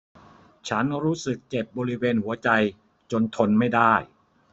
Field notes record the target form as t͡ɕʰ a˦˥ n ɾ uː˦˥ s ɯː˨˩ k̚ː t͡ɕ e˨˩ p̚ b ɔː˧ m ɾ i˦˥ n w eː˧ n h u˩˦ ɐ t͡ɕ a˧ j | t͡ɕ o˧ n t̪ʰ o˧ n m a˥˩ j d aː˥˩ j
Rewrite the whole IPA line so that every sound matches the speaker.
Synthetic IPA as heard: t͡ɕʰ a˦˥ n ɾ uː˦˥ s ɯ˨˩ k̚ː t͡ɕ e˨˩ p̚ b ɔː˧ ɾ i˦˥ w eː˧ n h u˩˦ ɐ t͡ɕ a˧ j | t͡ɕ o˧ n t̪ʰ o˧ n m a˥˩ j d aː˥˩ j